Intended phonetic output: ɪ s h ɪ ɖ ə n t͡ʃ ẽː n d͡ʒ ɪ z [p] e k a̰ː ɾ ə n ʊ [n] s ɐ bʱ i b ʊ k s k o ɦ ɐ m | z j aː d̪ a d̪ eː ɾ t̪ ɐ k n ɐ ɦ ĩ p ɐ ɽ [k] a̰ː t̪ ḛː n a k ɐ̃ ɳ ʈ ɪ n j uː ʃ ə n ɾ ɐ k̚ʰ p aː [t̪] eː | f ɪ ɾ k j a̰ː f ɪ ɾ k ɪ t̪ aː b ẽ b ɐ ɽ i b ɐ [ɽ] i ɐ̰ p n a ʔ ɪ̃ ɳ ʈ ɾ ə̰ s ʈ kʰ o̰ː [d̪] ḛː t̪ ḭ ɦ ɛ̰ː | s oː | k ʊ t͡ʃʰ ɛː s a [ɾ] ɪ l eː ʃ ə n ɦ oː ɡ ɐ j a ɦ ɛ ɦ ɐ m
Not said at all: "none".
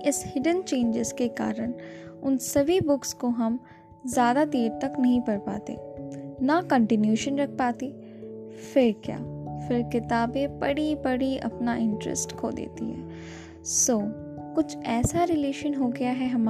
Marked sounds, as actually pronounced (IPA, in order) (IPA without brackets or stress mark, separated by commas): k, n, p, t̪, ɽ, d̪, ɾ